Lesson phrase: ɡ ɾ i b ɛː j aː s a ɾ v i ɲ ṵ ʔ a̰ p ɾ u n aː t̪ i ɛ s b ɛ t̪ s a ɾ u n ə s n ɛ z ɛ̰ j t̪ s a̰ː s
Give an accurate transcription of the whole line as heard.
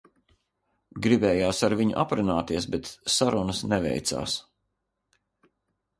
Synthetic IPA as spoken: ɡ ɾ i b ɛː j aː s a ɾ v i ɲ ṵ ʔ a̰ p ɾ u n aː t̪ i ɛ s b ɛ t̪ s a ɾ u n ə s n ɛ v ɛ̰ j t̪ s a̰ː s